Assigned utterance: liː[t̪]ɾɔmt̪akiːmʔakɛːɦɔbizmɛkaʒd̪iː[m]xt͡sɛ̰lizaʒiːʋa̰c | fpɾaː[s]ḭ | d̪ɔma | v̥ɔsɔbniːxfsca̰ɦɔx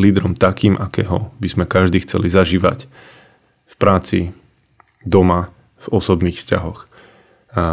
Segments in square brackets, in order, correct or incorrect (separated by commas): incorrect, incorrect, incorrect